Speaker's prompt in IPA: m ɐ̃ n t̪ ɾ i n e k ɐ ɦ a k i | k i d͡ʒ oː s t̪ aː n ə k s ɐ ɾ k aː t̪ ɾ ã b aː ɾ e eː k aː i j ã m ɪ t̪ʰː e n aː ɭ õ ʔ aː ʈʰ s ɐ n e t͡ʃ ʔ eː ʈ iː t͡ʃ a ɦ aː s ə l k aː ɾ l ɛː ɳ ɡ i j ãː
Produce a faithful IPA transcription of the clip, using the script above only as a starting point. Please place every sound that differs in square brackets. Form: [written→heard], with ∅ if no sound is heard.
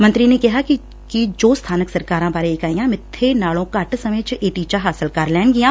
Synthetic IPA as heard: m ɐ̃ n t̪ ɾ i n e k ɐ ɦ a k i | k i d͡ʒ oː s [t̪→t̪ʰ] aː n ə k s ɐ ɾ k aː [t̪→∅] ɾ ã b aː ɾ e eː k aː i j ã m ɪ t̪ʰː e n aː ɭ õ [ʔ→k] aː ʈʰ s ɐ [n→m] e t͡ʃ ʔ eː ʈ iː t͡ʃ a ɦ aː s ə l k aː ɾ l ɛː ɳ ɡ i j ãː